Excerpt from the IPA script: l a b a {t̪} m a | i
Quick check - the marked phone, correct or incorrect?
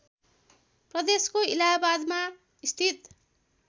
incorrect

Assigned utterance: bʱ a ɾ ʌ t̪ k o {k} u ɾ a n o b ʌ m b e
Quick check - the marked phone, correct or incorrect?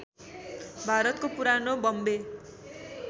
incorrect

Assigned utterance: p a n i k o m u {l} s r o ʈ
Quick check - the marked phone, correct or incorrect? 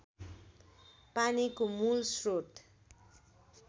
correct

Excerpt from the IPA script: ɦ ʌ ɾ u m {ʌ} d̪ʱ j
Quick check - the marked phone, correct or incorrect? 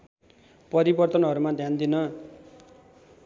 incorrect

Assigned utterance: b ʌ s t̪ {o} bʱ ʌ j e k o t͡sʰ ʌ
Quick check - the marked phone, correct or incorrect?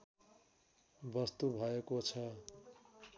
incorrect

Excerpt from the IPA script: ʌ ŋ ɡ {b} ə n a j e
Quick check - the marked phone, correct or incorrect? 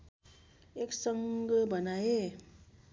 correct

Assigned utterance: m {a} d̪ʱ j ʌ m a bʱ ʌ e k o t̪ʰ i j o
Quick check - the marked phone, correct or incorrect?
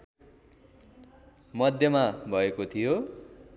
incorrect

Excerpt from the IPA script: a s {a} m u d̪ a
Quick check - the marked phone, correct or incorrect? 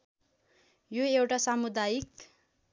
correct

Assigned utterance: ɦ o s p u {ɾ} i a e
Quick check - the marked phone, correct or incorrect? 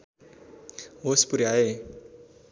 correct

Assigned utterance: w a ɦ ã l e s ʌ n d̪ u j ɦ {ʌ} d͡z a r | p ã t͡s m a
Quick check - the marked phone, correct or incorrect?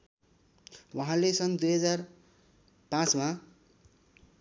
correct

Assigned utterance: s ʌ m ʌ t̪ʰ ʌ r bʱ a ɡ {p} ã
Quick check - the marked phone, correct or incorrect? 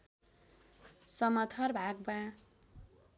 incorrect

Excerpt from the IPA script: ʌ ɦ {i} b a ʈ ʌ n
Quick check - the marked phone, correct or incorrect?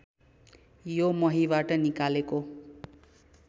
correct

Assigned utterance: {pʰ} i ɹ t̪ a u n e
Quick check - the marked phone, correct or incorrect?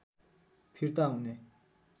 correct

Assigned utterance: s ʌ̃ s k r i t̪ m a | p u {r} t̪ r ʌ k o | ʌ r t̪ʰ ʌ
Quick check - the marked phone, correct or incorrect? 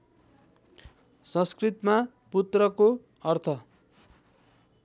incorrect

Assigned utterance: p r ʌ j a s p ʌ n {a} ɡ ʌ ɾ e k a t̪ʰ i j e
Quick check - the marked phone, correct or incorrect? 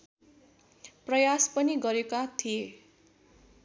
incorrect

